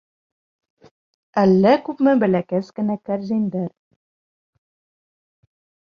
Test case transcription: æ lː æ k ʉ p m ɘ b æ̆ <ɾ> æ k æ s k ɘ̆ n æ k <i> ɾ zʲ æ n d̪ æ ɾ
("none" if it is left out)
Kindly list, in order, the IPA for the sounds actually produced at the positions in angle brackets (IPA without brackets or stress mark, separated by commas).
l, æ